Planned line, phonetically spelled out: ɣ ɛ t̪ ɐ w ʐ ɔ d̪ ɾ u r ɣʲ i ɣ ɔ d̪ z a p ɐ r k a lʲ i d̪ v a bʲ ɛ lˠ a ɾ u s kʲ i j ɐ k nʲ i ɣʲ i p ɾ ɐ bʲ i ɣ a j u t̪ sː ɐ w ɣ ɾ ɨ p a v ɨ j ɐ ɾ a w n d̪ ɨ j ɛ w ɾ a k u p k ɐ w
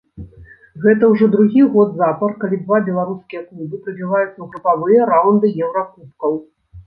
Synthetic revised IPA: ɣ ɛ t̪ ɐ w ʐ ɔ d̪ ɾ u ɣʲ i ɣ ɔ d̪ z a p ɐ r k a lʲ i d̪ v a bʲ ɛ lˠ a ɾ u s kʲ i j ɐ k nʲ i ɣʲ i p ɾ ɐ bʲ i v a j u t̪ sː ɐ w ɣ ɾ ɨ p a v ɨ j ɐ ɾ a w n d̪ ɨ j ɛ w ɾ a k u p k ɐ w